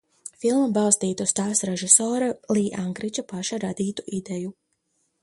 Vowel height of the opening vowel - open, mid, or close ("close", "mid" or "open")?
close